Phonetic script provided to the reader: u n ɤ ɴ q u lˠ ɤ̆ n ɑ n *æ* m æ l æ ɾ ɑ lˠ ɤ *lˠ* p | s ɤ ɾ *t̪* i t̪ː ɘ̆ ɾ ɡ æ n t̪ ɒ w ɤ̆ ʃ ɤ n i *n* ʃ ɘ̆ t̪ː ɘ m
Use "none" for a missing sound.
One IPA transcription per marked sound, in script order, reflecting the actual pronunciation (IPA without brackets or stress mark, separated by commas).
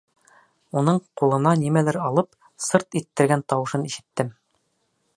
i, none, t̪, none